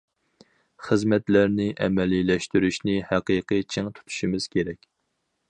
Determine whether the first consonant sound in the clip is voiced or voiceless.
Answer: voiceless